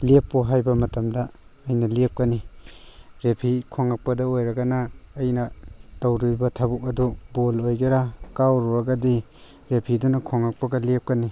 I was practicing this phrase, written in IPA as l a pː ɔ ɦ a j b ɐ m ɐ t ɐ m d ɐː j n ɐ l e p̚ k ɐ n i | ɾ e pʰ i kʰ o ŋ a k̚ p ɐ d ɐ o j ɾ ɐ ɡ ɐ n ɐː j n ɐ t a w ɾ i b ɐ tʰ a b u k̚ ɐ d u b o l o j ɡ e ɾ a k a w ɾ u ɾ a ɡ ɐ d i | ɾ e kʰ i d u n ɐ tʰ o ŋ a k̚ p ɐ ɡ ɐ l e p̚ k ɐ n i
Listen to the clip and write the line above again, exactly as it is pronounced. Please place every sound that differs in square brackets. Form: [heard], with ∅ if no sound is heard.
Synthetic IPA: l [e] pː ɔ ɦ a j b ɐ m ɐ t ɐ m d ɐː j n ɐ l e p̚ k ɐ n i | ɾ e pʰ i kʰ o ŋ a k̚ p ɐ d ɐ o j ɾ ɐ ɡ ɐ n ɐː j n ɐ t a w ɾ i b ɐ tʰ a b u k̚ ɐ d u b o l o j ɡ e ɾ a k a w ɾ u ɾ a ɡ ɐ d i | ɾ e [pʰ] i d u n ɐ [kʰ] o ŋ a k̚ p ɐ ɡ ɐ l e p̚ k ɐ n i